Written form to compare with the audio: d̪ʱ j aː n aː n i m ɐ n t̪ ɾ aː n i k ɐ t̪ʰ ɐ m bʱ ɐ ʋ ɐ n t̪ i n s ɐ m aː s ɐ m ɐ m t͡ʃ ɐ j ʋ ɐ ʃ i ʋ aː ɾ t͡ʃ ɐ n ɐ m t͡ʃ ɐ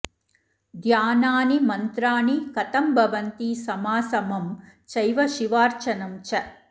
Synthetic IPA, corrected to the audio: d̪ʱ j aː n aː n i m ɐ n t̪ ɾ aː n i k ɐ t̪ ɐ m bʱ ɐ ʋ ɐ n t̪ i s ɐ m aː s ɐ m ɐ m t͡ʃ ɐ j ʋ ɐ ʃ i ʋ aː ɾ t͡ʃ ɐ n ɐ m t͡ʃ ɐ